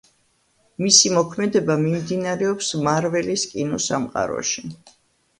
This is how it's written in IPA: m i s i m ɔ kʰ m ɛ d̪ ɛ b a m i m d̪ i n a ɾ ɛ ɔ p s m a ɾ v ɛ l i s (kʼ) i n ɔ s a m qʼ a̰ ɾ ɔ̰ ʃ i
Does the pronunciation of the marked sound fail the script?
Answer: no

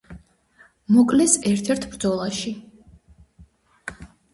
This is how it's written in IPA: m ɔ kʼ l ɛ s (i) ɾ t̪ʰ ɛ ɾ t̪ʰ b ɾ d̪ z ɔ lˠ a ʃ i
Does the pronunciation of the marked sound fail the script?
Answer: yes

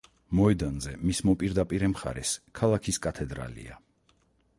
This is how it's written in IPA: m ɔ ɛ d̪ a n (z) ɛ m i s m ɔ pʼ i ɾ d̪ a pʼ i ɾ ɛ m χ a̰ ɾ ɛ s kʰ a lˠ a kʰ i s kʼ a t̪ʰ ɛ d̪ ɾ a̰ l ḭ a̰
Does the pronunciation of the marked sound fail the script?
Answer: no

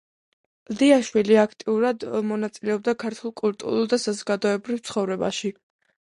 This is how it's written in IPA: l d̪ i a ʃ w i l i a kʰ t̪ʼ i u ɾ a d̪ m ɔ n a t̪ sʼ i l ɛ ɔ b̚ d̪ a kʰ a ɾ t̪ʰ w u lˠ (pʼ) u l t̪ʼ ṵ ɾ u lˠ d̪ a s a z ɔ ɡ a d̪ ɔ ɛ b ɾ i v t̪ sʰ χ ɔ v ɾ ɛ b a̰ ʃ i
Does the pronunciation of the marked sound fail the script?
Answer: yes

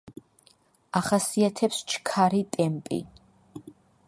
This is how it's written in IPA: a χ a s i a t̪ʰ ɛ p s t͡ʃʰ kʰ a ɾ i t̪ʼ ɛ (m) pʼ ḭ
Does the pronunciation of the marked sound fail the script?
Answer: no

